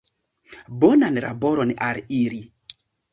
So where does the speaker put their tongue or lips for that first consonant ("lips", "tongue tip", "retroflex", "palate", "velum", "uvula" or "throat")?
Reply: lips